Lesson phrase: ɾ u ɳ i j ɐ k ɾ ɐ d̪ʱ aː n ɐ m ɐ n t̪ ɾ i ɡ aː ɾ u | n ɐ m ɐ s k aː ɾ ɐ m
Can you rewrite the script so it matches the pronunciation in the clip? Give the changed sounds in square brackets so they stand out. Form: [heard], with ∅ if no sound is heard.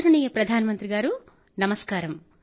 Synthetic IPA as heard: ɾ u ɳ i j ɐ [p] ɾ ɐ d̪ʱ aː n ɐ m ɐ n t̪ ɾ i ɡ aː ɾ u | n ɐ m ɐ s k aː ɾ ɐ m